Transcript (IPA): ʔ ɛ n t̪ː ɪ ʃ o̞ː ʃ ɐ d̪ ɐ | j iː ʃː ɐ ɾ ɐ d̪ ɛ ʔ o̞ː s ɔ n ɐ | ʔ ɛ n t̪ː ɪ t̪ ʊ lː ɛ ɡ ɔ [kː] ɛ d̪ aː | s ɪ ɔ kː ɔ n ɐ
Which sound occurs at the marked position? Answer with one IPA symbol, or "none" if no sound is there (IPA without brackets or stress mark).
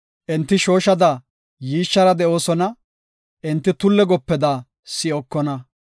pː